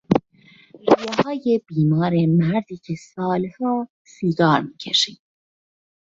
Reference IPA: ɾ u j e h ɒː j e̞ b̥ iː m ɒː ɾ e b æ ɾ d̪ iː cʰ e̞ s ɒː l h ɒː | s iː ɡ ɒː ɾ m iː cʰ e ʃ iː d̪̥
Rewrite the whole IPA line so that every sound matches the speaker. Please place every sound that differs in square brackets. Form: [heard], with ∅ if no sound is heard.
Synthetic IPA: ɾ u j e h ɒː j e̞ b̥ iː m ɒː ɾ e [m] æ ɾ d̪ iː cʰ e̞ s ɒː l h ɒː | s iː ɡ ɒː ɾ m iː cʰ e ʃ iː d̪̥